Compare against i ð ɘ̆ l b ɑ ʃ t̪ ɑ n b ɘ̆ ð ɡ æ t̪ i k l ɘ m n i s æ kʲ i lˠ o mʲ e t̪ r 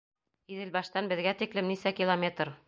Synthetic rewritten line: i ð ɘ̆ l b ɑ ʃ t̪ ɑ n b ɘ̆ ð ɡ æ t̪ i k l ɘ m n i s æ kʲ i lˠ o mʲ e t̪ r